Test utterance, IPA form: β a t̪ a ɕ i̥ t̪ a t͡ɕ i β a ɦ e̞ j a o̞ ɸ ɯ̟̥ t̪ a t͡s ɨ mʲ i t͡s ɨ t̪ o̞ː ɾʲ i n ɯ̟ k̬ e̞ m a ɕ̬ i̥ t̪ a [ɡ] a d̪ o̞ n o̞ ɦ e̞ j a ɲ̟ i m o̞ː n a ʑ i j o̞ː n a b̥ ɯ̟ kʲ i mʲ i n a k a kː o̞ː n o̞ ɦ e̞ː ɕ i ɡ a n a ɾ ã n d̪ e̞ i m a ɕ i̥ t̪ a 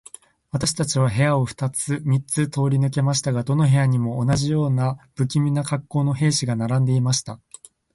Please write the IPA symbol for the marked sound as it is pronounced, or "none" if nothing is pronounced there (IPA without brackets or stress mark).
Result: ɡ